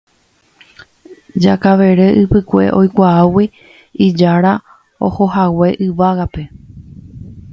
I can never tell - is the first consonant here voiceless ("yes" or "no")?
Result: no